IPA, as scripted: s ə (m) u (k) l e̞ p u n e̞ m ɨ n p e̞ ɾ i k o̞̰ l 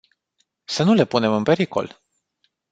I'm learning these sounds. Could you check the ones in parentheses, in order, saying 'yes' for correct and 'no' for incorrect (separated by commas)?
no, no